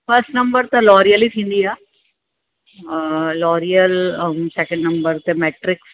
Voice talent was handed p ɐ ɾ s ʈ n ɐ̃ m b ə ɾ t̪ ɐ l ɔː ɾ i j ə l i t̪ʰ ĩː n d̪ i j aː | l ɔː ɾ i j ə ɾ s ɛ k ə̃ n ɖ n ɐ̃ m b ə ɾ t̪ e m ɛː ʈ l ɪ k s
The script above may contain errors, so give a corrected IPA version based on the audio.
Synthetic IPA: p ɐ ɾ s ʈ n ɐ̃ m b ə ɾ t̪ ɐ l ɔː ɾ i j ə l i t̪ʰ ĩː n d̪ i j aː | l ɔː ɾ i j ə l s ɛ k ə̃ ɳ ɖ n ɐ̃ m b ə ɾ t̪ e m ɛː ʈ ɾ ɪ k s

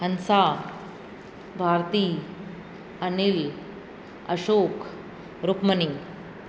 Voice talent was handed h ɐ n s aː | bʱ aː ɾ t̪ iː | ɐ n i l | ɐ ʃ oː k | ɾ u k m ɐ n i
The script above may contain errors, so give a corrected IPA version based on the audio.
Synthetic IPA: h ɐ n s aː | bʱ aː ɾ t̪ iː | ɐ n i l | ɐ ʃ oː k | ɾ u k m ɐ n i

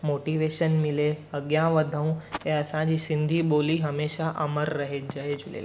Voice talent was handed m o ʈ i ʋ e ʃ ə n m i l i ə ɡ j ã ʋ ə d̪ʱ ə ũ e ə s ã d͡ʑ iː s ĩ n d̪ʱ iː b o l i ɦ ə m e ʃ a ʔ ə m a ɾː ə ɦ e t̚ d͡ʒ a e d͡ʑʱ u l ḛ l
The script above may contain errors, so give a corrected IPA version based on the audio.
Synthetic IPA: m o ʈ i ʋ e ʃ ə n m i l e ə ɡ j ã ʋ ə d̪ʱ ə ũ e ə s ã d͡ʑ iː s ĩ n d̪ʱ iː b o l i ɦ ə m e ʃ a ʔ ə m ə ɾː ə ɦ e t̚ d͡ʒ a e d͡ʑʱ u l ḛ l

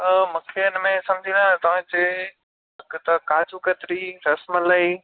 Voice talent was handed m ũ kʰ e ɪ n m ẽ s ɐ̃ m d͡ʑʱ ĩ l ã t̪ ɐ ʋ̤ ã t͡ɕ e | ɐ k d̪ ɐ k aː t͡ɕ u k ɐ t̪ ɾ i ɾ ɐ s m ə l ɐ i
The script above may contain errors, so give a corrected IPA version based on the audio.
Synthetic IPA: m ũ kʰ e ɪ n m ẽ s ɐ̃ m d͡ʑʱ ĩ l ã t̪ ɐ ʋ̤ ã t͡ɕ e | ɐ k t̪ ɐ k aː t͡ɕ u k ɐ t̪ ɾ i ɾ ɐ s m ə l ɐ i

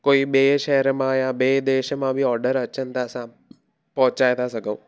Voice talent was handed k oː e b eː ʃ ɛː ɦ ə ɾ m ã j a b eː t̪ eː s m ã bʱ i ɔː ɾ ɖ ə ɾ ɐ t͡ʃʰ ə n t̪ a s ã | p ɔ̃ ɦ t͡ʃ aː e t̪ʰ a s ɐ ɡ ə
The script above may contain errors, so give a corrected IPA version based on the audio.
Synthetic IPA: k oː i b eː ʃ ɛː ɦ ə ɾ m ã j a b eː d̪ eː ʃ m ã bʱ i ɔː ɾ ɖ ə ɾ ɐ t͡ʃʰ ə n t̪ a s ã | p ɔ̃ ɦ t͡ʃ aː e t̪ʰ a s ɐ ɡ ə

